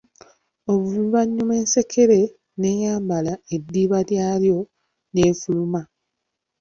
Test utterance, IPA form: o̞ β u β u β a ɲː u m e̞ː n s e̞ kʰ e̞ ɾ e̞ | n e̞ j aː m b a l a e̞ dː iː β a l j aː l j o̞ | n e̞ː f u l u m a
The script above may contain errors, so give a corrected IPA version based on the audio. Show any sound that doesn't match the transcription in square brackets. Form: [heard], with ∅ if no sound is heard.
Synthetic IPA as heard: o̞ β u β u β a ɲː u m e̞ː n s e̞ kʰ e̞ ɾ e̞ | n e̞ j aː m b a l a e̞ dː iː β a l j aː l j o̞ | n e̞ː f u l u m a